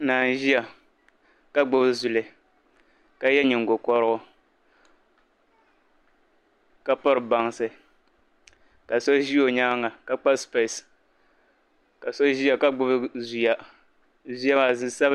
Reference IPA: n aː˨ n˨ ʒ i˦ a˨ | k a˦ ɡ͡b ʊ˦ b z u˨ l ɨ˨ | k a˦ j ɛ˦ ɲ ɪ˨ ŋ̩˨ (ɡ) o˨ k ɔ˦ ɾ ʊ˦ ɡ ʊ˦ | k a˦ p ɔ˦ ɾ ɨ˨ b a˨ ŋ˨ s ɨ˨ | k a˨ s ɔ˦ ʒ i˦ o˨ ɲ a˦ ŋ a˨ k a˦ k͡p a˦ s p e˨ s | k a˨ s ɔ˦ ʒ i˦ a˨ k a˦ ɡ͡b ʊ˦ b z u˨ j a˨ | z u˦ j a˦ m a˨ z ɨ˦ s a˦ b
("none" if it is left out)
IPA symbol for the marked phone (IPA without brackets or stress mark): ɡ